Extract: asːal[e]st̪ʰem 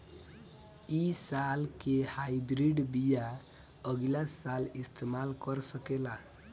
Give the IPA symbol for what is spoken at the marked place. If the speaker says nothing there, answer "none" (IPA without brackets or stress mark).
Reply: i